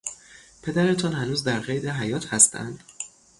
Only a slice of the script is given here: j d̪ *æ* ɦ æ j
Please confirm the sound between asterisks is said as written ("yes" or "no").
no